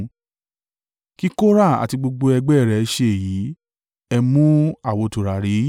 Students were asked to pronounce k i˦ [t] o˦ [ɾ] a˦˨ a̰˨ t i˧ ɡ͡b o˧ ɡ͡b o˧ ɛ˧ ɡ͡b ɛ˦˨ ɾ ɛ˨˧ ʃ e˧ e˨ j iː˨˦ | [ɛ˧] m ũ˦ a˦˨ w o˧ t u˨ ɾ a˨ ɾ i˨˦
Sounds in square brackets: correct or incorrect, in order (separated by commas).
incorrect, correct, correct